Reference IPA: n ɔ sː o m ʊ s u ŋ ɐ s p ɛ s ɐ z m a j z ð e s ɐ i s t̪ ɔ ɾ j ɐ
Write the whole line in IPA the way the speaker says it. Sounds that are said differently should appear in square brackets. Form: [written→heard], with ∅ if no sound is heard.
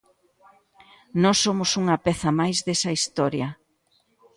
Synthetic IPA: n ɔ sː o m ʊ s u ŋ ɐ [s→∅] p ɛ [s→θ] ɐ [z→∅] m a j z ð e s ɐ i s t̪ ɔ ɾ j ɐ

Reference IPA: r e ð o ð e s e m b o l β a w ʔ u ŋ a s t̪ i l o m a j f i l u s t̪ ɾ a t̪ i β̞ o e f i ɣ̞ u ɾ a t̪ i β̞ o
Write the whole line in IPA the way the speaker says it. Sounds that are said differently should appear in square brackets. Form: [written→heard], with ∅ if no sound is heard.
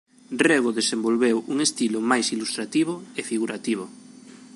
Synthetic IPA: r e [ð→ɣ] o ð e s e m b o l β [a→e] w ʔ u ŋ [a→e] s t̪ i l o m a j [f→s] i l u s t̪ ɾ a t̪ i β̞ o e f i ɣ̞ u ɾ a t̪ i β̞ o

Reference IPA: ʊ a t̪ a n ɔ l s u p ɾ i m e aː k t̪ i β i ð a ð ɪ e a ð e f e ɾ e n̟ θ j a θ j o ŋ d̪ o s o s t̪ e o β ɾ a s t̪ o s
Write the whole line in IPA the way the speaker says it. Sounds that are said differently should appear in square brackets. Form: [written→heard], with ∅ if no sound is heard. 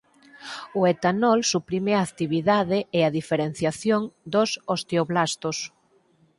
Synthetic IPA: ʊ [a→e] t̪ a n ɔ l s u p ɾ i m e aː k t̪ i β i ð a ð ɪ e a ð [e→i] f e ɾ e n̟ θ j a θ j o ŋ d̪ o s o s t̪ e o β [ɾ→l] a s t̪ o s

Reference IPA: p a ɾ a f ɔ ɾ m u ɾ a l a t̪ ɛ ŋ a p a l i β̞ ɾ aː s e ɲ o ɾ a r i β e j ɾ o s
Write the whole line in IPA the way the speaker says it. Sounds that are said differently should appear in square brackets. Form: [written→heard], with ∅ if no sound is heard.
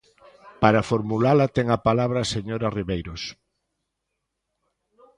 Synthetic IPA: p a ɾ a f [ɔ→o] ɾ m u [ɾ→l] a l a t̪ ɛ ŋ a p a l [i→a] β̞ ɾ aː s e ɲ o ɾ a r i β e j ɾ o s

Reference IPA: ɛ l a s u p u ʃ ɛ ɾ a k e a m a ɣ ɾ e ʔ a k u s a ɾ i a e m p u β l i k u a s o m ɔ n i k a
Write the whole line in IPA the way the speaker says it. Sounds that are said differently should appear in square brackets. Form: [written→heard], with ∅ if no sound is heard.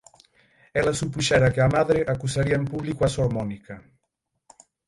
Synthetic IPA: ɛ l a s u p u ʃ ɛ ɾ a k e a m a [ɣ→ð] ɾ e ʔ a k u s a ɾ i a e m p u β l i k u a s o m ɔ n i k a

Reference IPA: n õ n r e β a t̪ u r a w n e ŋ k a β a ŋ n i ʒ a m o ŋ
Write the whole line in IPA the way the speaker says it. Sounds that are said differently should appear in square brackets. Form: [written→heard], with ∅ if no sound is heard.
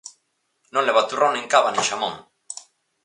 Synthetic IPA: n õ n [r→l] e β a t̪ u r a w n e ŋ k a β a [ŋ→∅] n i [ʒ→ʃ] a m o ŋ

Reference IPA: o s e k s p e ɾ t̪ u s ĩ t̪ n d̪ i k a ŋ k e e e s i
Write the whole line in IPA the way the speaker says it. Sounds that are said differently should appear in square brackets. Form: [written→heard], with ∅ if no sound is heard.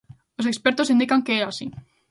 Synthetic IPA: o s e k s p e ɾ t̪ [u→o] s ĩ [t̪→∅] n d̪ i k a ŋ k e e [e→a] s i

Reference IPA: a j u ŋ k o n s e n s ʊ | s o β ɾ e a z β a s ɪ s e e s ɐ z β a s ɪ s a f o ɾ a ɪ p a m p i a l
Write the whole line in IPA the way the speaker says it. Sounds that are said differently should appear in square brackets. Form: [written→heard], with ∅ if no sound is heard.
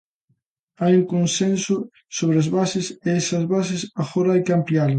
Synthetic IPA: a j u ŋ k o n s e n s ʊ | s o β ɾ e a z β a s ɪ s e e s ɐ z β a s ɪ s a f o ɾ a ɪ [p→k] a m p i a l

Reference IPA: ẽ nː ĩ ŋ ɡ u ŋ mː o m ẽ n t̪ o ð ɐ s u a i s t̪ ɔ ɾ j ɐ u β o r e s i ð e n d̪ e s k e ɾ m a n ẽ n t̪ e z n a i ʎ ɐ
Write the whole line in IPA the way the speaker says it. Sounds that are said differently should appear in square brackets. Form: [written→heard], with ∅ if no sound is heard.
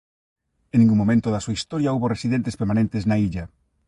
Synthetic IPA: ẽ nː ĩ ŋ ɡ u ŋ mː o m ẽ n t̪ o ð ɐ s u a i s t̪ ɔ ɾ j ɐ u β o r e s i ð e n [d̪→t̪] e s [k→p] e ɾ m a n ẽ n t̪ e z n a i ʎ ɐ

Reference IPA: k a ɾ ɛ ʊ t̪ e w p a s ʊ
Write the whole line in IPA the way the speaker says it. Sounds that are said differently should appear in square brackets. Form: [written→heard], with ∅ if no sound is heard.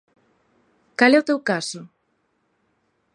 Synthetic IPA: k a [ɾ→l] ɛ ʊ t̪ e w [p→k] a s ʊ

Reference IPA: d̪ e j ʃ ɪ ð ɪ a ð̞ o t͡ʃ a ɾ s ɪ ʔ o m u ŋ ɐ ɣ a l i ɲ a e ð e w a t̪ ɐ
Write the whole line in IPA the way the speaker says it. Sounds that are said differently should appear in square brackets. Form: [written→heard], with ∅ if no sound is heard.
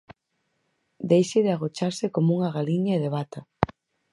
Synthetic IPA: d̪ e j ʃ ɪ ð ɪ a [ð̞→ɣ̞] o t͡ʃ a ɾ s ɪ [ʔ→k] o m u ŋ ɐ ɣ a l i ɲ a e ð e [w→β] a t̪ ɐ

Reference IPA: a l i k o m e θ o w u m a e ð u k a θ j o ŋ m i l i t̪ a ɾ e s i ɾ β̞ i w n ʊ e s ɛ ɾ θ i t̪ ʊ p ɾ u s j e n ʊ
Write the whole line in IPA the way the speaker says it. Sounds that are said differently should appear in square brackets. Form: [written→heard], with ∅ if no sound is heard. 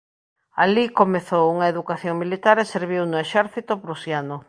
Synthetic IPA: a l i k o m e θ o w u [m→ŋ] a e ð u k a θ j o ŋ m i l i t̪ a ɾ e s [i→e] ɾ β̞ i w n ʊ e [s→ʃ] ɛ ɾ θ i t̪ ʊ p ɾ u s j [e→a] n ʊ

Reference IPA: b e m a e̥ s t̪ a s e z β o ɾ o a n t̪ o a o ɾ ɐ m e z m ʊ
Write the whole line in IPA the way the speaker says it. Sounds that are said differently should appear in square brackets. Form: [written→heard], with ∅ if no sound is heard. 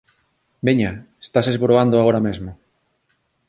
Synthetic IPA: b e [m→ɲ] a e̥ s t̪ a s e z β o ɾ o a n [t̪→d̪] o a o ɾ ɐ m e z m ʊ

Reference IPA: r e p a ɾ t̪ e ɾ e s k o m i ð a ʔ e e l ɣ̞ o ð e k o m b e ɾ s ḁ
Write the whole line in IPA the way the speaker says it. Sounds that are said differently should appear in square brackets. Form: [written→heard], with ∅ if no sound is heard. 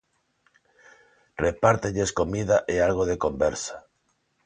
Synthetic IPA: r e p a ɾ t̪ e [ɾ→ʎ] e s k o m i ð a ʔ e [e→a] l ɣ̞ o ð e k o m b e ɾ s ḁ

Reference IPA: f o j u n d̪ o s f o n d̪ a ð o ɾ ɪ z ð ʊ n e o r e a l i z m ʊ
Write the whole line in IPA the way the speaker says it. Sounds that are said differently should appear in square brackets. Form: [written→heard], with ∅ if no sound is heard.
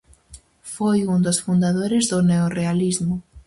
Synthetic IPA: f o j u n d̪ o s f [o→u] n d̪ a ð o ɾ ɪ z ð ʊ n e o r e a l i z m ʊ

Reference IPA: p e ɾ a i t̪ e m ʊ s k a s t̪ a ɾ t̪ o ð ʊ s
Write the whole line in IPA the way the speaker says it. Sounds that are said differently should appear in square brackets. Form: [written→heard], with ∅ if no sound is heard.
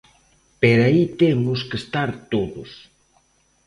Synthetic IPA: p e ɾ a i t̪ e m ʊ s k [a→e] s t̪ a ɾ t̪ o ð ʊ s

